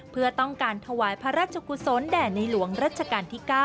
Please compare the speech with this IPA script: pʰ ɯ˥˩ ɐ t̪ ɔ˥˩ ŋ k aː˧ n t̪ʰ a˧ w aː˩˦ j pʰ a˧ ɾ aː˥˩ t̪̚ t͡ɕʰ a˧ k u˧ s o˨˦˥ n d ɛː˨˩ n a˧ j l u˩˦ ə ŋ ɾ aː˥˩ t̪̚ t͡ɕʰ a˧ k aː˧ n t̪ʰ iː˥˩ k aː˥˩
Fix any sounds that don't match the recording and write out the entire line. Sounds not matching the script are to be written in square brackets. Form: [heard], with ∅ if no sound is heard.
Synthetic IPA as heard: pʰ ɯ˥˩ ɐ t̪ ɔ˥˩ ŋ k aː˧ n t̪ʰ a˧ w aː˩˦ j pʰ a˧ ɾ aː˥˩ t̪̚ t͡ɕʰ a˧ k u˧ s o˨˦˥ n d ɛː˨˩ n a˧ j l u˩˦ ə ŋ ɾ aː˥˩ t̪̚ t͡ɕʰ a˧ k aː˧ n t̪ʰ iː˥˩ k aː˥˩

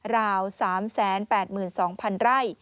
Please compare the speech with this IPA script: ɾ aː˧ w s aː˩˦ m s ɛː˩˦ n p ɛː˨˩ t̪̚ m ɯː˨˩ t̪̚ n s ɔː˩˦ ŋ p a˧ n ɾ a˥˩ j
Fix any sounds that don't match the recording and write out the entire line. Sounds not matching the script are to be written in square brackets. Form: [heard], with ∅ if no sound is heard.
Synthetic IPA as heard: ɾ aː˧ w s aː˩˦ m s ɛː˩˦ n p ɛː˨˩ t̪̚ m ɯː˨˩ [∅] n s ɔː˩˦ ŋ [pʰ] a˧ n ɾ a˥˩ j

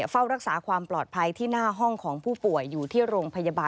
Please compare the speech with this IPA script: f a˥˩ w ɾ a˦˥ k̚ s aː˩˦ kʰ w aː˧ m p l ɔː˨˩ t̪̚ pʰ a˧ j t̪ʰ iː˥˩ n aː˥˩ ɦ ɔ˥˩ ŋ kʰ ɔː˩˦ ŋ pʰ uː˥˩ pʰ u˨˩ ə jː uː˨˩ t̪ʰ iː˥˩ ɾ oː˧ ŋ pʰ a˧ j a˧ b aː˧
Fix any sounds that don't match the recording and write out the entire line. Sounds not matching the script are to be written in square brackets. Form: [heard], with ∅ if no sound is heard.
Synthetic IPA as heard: f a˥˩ w ɾ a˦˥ k̚ s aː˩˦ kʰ w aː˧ m p l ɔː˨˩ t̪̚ pʰ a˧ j t̪ʰ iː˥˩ n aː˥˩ ɦ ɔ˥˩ ŋ kʰ ɔː˩˦ ŋ pʰ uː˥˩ [p] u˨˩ ə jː uː˨˩ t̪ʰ iː˥˩ ɾ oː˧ ŋ pʰ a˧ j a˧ b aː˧

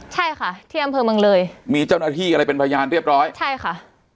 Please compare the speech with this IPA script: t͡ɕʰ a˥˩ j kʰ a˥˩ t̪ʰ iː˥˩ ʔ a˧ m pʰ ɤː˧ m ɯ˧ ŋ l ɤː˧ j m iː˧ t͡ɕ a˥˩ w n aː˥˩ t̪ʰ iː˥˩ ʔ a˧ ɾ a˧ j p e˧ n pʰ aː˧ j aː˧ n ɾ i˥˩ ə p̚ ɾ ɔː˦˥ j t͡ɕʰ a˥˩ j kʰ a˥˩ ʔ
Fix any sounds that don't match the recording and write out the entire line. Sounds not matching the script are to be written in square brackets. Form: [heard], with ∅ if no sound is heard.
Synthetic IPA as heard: t͡ɕʰ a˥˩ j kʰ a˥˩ t̪ʰ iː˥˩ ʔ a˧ m pʰ ɤː˧ m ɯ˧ ŋ l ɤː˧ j m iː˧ t͡ɕ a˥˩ w n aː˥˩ t̪ʰ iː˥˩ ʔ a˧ ɾ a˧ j p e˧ n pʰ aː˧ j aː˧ n ɾ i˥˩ ə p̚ ɾ ɔː˦˥ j t͡ɕʰ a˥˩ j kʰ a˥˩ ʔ

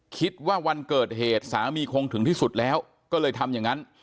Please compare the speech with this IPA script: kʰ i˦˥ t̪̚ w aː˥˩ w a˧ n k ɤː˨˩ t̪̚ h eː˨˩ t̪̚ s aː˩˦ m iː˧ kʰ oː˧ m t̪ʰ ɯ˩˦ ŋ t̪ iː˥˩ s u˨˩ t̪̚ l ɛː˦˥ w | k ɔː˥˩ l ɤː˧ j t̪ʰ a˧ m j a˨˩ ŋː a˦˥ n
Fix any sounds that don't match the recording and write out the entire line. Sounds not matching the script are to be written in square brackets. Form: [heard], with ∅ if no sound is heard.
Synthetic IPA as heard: kʰ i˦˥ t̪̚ w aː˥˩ w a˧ n k ɤː˨˩ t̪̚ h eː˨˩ t̪̚ s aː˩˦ m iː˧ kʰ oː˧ [ŋ] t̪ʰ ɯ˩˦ ŋ t̪ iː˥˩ s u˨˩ t̪̚ l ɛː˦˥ w | k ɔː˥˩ l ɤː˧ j t̪ʰ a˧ m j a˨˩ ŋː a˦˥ n

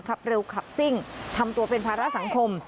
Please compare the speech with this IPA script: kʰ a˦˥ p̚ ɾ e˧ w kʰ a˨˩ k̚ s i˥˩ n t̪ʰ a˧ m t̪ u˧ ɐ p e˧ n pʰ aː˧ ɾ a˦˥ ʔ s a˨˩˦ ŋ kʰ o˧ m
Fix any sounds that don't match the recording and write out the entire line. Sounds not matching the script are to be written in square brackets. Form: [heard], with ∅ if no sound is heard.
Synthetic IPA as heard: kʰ a˦˥ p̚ ɾ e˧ w kʰ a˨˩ [p̚] s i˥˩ [ŋ] t̪ʰ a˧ m t̪ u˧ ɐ p e˧ n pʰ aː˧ ɾ a˦˥ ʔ s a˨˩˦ ŋ kʰ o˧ m

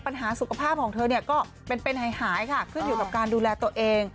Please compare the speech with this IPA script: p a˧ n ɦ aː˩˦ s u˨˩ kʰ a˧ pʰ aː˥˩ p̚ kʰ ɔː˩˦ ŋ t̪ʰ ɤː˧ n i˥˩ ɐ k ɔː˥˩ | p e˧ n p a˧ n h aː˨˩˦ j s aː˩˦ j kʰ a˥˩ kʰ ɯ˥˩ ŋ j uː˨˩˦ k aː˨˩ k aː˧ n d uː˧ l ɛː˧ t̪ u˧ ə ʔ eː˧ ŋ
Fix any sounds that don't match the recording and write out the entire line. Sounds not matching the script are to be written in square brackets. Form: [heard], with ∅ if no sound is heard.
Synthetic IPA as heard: p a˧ n ɦ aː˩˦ s u˨˩ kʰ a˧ pʰ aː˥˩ p̚ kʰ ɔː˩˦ ŋ t̪ʰ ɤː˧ n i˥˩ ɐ k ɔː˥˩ | p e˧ n p [e˧] n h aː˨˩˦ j [h] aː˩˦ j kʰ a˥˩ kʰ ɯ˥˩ [n] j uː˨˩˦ k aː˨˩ k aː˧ n d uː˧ l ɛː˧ t̪ u˧ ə ʔ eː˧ ŋ

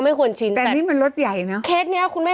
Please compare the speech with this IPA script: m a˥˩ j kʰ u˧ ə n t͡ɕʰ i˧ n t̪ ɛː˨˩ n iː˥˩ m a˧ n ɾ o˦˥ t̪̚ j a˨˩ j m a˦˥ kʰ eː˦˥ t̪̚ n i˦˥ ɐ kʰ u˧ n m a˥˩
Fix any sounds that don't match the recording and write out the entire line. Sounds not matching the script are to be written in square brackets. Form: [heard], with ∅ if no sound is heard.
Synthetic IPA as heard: m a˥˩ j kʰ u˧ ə n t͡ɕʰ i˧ n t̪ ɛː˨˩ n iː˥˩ m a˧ n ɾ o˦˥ t̪̚ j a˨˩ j [n] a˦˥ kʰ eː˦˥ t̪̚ n i˦˥ ɐ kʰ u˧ n m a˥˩

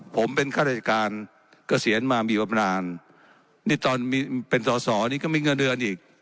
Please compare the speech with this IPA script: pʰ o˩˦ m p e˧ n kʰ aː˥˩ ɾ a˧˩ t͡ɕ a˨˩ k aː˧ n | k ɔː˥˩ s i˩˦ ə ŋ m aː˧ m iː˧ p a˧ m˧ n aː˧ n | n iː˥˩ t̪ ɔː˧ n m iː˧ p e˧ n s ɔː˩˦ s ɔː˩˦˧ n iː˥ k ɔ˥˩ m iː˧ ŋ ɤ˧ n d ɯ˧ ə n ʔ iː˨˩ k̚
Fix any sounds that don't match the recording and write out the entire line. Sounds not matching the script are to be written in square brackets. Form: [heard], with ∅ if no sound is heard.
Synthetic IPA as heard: pʰ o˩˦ m p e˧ n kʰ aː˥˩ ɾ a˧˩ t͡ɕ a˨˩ k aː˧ n | k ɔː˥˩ s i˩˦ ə [n] m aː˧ m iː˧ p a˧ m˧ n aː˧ n | n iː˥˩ t̪ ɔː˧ n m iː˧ p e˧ n s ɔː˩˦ s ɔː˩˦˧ n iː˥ k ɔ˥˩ m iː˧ ŋ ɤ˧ n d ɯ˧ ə n ʔ iː˨˩ k̚

